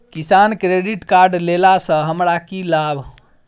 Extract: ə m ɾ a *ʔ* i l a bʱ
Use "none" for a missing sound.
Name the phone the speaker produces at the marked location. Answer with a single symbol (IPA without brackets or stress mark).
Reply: k